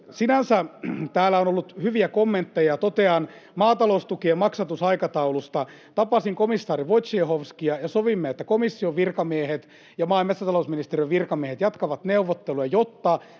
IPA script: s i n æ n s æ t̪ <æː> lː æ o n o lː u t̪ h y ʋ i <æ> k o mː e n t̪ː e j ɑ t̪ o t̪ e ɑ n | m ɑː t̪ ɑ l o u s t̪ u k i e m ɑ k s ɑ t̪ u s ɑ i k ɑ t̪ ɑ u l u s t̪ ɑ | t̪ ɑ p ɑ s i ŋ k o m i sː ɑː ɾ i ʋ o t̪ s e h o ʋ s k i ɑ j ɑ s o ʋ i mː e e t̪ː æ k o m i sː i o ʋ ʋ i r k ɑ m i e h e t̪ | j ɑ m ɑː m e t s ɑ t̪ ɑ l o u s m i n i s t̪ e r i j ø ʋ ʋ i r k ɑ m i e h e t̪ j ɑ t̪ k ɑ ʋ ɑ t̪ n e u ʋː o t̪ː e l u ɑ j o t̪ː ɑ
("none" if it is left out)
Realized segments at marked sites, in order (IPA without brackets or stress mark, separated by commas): æː, æ